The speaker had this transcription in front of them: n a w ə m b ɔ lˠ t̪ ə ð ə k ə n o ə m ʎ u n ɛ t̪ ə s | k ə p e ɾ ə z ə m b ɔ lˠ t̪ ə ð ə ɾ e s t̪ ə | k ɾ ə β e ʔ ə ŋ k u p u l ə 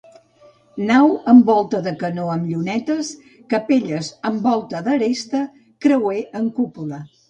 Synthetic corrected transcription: n a w ə m b ɔ lˠ t̪ ə ð ə k ə n o ə m ʎ u n ɛ t̪ ə s | k ə p e ʎ ə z ə m b ɔ lˠ t̪ ə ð ə ɾ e s t̪ ə | k ɾ ə w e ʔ ə ŋ k u p u l ə